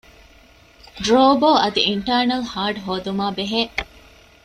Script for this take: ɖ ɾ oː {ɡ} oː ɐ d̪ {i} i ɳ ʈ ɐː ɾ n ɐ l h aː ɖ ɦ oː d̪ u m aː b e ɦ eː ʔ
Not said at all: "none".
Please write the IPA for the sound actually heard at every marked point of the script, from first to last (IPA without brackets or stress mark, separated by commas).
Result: b, i